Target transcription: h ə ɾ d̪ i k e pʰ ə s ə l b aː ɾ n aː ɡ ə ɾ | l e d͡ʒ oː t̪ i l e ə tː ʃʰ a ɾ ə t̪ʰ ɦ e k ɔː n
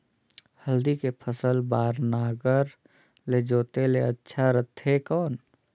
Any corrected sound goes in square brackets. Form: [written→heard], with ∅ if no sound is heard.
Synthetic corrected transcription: h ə [ɾ→l] d̪ i k e pʰ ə s ə l b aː ɾ n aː ɡ ə ɾ | l e d͡ʒ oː t̪ [i→e] l e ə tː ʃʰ a ɾ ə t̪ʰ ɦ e k ɔː n